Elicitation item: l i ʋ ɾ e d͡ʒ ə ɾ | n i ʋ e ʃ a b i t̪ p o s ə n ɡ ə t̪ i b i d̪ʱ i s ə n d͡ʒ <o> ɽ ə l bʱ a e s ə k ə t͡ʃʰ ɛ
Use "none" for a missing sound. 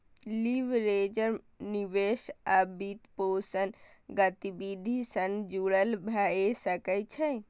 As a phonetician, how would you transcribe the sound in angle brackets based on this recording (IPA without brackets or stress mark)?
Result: u